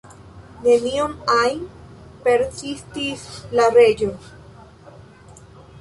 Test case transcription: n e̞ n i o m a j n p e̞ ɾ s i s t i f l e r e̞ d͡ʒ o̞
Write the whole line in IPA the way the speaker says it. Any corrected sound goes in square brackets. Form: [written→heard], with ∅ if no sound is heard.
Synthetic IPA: n e̞ n i o m a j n p e̞ ɾ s i s t i [f→s] l [e→a] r e̞ d͡ʒ o̞